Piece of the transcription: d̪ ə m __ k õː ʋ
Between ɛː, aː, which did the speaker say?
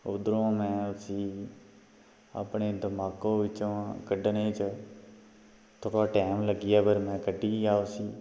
aː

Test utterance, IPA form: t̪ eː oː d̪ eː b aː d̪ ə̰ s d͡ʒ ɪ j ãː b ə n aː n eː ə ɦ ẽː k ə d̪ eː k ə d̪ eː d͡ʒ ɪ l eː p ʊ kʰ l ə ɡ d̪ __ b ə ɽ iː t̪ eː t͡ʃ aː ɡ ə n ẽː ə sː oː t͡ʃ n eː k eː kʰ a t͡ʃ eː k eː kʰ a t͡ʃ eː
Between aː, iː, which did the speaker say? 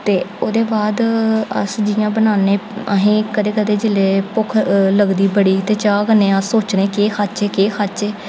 iː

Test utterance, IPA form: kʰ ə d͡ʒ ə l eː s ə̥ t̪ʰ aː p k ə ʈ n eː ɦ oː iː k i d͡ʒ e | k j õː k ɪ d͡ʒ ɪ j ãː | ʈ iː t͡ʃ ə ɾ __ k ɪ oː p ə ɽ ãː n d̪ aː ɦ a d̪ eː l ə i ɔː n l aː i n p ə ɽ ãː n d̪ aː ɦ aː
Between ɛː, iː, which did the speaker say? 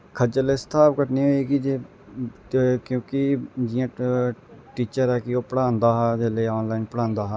ɛː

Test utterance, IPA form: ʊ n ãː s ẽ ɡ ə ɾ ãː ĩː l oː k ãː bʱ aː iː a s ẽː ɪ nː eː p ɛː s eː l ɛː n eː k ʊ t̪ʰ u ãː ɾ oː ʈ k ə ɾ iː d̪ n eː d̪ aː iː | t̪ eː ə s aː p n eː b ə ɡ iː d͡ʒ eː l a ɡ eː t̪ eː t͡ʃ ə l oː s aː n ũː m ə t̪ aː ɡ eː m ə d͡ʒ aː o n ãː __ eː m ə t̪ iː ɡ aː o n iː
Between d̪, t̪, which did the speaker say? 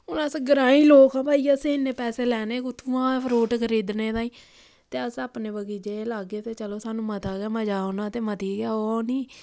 t̪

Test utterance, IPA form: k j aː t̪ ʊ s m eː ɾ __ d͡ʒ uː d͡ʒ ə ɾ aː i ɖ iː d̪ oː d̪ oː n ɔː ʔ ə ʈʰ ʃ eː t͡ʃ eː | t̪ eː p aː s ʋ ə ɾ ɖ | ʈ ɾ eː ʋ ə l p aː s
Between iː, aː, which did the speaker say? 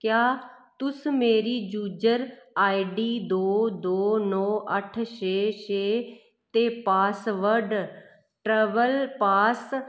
iː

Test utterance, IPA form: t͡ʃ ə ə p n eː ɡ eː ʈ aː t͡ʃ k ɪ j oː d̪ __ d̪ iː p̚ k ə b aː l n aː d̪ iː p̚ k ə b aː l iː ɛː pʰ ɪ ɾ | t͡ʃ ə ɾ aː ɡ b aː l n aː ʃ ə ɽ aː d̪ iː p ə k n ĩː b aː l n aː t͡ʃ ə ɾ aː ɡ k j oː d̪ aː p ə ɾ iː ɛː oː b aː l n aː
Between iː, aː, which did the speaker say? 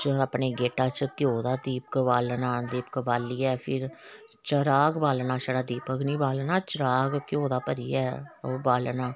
aː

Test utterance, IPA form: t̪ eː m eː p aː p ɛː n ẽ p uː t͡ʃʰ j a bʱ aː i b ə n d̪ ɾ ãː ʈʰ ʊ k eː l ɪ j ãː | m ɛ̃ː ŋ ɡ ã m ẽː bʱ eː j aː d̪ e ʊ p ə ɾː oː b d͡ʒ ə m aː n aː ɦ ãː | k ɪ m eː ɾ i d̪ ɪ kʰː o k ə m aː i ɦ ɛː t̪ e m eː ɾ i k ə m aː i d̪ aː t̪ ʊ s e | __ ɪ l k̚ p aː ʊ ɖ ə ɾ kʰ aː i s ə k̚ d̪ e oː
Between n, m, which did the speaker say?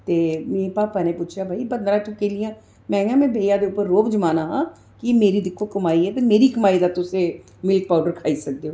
m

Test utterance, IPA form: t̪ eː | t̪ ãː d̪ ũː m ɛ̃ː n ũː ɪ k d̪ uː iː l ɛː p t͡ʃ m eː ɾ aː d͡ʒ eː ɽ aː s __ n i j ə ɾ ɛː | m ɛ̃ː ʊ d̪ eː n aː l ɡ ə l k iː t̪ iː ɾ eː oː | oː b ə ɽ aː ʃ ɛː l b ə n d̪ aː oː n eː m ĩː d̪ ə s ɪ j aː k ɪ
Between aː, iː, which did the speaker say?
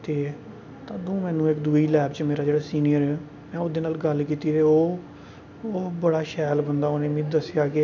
iː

